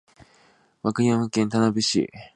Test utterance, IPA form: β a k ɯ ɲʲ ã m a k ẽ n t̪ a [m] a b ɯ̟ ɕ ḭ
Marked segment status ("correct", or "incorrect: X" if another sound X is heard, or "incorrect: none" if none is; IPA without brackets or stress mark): incorrect: n